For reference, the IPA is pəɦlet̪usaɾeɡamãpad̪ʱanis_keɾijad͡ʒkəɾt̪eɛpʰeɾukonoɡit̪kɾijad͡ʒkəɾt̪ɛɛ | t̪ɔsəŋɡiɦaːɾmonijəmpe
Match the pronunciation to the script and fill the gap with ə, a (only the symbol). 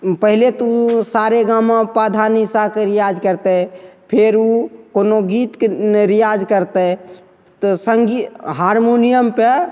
a